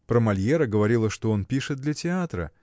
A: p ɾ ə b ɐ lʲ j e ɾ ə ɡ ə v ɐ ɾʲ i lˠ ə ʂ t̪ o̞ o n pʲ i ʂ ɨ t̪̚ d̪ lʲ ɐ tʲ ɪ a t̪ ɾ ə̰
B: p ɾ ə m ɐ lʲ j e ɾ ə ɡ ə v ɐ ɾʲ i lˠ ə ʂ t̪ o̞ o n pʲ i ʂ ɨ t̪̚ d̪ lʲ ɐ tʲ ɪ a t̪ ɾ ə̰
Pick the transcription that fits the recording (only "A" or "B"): B